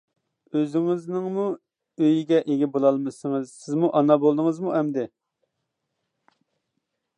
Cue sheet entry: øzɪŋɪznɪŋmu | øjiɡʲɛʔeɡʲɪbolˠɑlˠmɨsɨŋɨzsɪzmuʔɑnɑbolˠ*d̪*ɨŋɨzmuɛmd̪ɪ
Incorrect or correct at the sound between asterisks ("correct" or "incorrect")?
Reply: correct